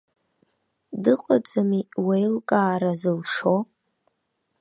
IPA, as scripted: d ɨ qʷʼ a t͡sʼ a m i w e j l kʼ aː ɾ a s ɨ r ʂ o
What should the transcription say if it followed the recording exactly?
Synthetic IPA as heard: d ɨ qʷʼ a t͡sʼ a m i w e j l kʼ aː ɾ a z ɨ l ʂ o